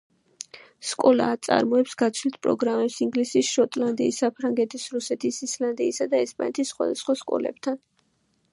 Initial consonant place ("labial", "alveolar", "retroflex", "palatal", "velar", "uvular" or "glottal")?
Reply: alveolar